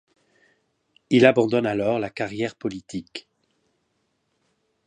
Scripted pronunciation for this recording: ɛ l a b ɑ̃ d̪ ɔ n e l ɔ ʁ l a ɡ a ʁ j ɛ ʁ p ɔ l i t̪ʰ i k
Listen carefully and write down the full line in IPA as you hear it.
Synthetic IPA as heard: i l a b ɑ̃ d̪ ɔ n a l ɔ ʁ l a k a ʁ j ɛ ʁ p ɔ l i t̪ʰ i k